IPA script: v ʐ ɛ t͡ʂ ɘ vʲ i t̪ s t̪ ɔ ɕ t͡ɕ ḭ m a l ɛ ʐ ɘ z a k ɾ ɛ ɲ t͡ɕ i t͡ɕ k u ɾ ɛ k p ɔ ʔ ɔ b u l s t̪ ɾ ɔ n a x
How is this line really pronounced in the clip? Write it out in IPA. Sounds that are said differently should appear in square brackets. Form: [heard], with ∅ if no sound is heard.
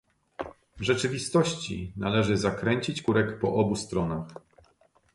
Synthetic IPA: v ʐ ɛ t͡ʂ ɘ vʲ i [∅] s t̪ ɔ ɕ t͡ɕ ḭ [n] a l ɛ ʐ ɘ z a k ɾ ɛ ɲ t͡ɕ i t͡ɕ k u ɾ ɛ k p ɔ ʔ ɔ b u [∅] s t̪ ɾ ɔ n a x

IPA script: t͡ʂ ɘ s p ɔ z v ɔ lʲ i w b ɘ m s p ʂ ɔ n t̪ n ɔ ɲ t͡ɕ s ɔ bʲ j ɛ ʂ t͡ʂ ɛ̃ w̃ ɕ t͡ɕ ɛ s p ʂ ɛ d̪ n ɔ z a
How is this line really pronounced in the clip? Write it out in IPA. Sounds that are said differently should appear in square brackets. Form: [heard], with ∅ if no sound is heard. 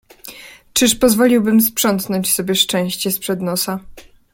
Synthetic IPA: t͡ʂ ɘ [ʂ] p ɔ z v ɔ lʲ i w b ɘ m s p ʂ ɔ n t̪ n ɔ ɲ t͡ɕ s ɔ bʲ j ɛ ʂ t͡ʂ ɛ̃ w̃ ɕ t͡ɕ ɛ s p ʂ ɛ d̪ n ɔ [s] a

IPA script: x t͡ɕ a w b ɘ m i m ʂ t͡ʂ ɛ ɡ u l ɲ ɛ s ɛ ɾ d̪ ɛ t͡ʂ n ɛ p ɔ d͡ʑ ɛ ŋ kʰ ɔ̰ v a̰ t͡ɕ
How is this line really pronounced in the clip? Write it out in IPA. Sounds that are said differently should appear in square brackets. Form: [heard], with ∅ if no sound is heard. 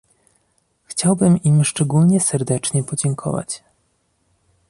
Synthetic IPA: x t͡ɕ a w b ɘ m i m ʂ t͡ʂ ɛ ɡ u l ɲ ɛ s ɛ ɾ d̪ ɛ t͡ʂ [ɲ] ɛ p ɔ d͡ʑ ɛ ŋ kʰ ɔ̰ v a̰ t͡ɕ

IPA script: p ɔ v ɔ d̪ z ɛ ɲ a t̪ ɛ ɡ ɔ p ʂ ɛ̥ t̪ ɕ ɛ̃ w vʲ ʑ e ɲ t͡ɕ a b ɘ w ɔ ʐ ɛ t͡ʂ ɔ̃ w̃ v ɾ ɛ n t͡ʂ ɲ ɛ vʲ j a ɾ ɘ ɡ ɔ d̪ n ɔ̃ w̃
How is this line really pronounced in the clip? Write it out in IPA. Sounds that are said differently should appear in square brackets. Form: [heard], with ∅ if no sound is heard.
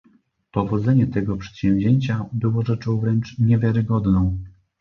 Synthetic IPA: p ɔ v ɔ d̪ z ɛ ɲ [ɛ] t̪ ɛ ɡ ɔ p ʂ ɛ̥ t̪ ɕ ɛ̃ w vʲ ʑ e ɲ t͡ɕ a b ɘ w ɔ ʐ ɛ t͡ʂ ɔ̃ w̃ v ɾ ɛ n t͡ʂ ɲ ɛ vʲ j a ɾ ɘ ɡ ɔ d̪ n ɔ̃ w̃

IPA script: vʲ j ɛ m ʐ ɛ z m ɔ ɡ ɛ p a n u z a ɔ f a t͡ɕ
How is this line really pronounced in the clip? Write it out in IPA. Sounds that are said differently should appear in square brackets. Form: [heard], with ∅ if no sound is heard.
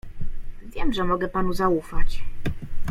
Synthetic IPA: vʲ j ɛ m ʐ ɛ [∅] m ɔ ɡ ɛ p a n u z a [u] f a t͡ɕ

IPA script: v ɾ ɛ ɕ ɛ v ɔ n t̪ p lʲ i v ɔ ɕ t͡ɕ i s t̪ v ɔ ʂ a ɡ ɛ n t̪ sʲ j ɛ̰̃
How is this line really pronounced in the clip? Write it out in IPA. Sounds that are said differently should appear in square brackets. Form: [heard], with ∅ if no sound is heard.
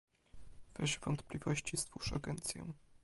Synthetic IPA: v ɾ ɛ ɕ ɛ v ɔ n t̪ p lʲ i v ɔ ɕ t͡ɕ i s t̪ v [u] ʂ a ɡ ɛ n t̪ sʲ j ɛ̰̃

